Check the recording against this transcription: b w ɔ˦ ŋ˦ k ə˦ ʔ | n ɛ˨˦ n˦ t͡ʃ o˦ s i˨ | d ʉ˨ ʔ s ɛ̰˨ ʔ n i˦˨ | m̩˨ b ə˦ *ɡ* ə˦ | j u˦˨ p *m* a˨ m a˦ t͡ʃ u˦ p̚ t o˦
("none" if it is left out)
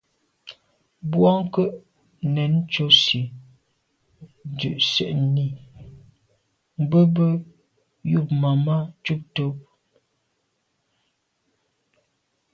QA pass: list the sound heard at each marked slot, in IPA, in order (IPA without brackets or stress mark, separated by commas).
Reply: b, m